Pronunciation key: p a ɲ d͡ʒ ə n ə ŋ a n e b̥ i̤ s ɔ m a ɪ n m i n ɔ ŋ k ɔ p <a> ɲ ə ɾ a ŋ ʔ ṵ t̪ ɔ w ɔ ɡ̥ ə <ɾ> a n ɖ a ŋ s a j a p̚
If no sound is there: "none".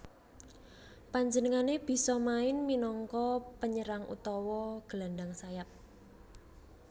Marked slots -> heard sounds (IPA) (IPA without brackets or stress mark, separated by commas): ə, l